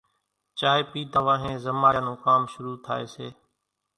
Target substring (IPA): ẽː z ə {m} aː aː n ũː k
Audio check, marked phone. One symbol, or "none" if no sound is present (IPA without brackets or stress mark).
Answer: m